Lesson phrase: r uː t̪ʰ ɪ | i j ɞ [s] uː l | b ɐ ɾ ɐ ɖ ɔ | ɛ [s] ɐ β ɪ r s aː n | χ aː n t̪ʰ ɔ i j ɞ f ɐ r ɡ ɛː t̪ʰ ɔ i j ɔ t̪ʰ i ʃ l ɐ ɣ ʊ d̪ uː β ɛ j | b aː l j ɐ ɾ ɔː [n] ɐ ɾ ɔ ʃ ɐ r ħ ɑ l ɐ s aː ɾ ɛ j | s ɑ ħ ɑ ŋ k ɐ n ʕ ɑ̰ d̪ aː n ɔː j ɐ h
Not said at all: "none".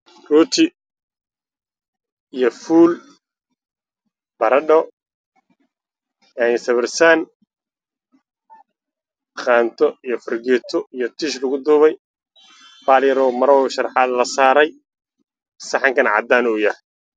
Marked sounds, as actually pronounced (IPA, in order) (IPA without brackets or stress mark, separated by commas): f, s, m